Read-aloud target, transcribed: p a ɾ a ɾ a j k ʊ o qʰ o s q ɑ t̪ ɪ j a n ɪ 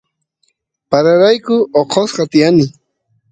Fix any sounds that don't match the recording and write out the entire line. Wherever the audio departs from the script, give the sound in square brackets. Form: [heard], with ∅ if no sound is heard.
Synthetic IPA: p a ɾ a ɾ a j k ʊ o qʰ o s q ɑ t̪ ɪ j a n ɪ

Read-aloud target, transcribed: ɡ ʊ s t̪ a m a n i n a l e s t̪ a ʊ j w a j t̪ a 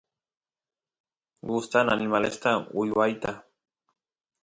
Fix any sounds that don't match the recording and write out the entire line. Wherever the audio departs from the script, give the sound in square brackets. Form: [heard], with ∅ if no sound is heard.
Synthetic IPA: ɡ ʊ s t̪ a [n] a n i [m] a l e s t̪ a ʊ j w a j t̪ a

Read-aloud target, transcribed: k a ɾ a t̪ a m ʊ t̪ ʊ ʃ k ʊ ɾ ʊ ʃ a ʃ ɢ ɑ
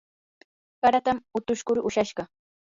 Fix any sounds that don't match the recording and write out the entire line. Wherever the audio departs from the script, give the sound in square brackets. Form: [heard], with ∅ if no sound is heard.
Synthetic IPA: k a ɾ a t̪ a m ʊ t̪ ʊ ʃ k ʊ ɾ ʊ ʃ a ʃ ɢ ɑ

